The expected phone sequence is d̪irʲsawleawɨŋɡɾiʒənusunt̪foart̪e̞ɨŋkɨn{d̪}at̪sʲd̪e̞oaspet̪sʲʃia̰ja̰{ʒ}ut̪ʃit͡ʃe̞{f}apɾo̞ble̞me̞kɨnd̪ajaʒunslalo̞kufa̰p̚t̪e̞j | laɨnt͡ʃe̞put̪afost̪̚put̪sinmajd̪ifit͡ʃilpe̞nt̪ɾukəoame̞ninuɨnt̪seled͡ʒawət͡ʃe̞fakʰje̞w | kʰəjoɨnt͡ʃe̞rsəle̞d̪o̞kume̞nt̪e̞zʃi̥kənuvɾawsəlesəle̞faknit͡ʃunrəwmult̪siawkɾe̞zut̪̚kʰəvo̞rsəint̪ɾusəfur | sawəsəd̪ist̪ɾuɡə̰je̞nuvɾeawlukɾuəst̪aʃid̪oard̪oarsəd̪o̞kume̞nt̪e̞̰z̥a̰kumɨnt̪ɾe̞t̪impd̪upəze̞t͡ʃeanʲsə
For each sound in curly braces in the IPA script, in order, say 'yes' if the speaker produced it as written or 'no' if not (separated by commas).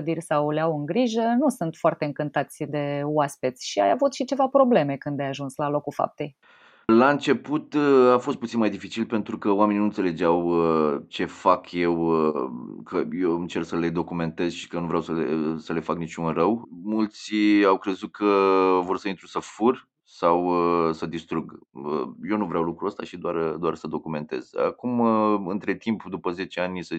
no, no, no